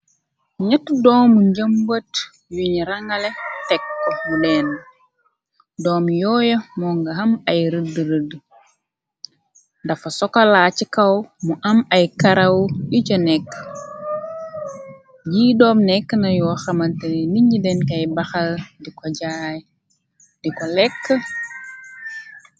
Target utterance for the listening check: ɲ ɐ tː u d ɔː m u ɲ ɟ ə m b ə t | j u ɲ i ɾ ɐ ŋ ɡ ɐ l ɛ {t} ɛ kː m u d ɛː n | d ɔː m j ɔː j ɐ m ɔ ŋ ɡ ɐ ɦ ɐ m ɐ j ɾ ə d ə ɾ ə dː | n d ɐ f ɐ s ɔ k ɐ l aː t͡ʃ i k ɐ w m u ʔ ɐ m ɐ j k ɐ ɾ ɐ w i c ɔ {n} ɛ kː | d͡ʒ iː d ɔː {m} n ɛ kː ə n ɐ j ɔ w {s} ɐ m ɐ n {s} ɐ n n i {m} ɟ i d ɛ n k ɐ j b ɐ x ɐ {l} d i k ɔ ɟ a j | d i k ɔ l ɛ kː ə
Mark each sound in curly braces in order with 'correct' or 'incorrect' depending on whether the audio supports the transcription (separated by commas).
correct, correct, correct, incorrect, incorrect, incorrect, correct